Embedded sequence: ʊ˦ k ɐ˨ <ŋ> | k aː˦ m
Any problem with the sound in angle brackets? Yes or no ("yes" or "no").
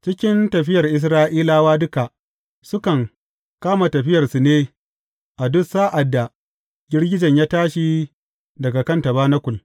no